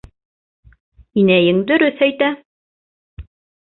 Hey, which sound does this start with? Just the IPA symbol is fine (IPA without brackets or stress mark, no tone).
i